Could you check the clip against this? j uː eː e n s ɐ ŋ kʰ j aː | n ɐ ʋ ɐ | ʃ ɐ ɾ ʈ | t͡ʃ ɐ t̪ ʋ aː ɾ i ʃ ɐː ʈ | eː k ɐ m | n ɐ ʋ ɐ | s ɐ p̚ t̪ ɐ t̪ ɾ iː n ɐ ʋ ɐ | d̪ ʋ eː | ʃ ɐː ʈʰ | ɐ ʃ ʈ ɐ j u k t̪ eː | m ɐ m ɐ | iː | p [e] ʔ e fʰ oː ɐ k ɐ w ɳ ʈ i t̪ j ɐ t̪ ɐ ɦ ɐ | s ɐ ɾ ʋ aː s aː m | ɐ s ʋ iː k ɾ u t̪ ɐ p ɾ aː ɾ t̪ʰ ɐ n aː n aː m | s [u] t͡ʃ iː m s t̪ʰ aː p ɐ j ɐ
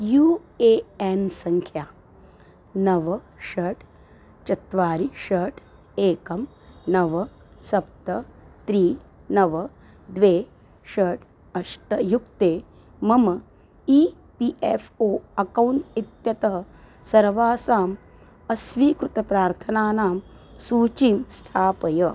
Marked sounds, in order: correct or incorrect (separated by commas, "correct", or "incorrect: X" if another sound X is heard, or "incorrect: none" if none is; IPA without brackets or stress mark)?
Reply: incorrect: i, incorrect: uː